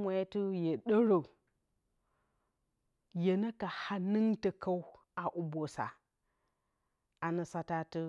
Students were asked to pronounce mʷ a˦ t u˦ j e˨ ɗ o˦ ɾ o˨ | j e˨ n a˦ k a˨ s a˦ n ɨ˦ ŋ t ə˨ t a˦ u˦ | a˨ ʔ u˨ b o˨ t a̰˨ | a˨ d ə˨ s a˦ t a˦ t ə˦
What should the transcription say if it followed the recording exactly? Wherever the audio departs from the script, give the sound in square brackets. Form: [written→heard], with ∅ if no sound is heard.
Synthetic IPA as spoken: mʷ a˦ t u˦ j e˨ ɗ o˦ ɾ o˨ | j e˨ n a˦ k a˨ [s→h] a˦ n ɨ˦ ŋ t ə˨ [t→k] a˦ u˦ | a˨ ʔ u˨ b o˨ [t→s] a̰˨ | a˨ [d→n] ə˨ s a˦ t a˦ t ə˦